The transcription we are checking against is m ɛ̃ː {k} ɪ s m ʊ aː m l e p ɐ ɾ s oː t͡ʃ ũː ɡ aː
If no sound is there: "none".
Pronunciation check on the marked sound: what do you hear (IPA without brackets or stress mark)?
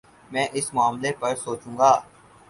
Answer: ʔ